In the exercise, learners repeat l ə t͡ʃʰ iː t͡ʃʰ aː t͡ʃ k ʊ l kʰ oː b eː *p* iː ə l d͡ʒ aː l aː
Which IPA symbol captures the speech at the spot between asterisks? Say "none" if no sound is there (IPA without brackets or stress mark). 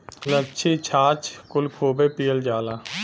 p